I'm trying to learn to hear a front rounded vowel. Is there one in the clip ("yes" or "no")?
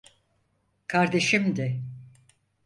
no